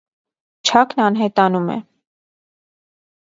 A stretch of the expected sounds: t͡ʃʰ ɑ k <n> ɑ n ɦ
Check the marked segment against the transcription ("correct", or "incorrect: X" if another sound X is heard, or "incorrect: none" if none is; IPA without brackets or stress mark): correct